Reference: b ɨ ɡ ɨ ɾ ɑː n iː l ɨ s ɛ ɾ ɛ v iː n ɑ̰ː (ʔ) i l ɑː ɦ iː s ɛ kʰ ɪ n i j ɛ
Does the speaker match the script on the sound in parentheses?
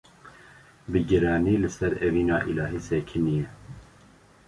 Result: yes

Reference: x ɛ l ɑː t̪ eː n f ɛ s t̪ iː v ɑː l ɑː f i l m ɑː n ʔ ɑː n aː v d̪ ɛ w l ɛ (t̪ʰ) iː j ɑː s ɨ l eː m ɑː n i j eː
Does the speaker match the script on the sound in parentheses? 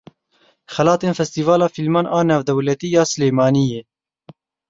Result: no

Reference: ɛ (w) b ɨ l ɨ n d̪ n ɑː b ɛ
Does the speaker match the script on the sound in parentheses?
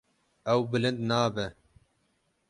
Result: yes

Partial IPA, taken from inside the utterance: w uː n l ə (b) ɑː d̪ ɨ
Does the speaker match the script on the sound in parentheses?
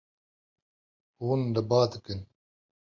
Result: yes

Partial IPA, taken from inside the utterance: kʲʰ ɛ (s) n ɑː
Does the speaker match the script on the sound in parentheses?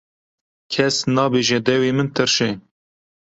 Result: yes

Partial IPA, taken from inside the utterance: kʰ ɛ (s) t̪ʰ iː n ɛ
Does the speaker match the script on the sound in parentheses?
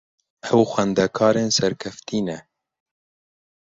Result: no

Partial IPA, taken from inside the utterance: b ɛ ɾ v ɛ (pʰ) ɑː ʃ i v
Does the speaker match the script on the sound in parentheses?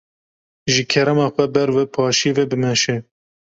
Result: yes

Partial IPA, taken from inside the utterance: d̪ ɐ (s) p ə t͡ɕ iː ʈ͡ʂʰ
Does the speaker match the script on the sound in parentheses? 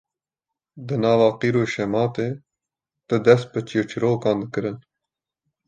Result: yes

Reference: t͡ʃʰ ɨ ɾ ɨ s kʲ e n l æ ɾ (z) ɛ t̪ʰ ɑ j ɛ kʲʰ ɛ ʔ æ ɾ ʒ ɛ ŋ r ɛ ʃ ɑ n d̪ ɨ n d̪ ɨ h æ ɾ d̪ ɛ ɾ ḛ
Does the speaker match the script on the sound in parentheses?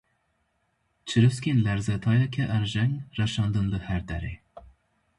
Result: yes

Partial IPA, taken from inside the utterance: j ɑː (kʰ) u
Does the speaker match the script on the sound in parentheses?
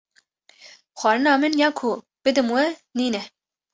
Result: yes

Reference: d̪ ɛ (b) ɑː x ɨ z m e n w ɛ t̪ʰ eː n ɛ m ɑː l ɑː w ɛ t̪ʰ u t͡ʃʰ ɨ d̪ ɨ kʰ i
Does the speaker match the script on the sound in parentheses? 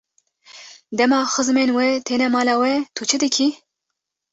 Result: no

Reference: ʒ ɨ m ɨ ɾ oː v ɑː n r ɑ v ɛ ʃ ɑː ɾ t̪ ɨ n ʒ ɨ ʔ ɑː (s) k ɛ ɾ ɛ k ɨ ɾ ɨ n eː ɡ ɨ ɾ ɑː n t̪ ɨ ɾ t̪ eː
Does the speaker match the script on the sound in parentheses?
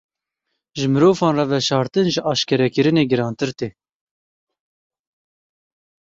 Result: no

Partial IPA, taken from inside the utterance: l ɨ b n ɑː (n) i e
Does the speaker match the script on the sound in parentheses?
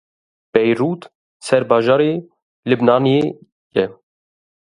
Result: yes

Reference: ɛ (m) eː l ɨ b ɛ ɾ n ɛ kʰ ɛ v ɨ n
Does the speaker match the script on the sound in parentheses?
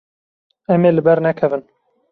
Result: yes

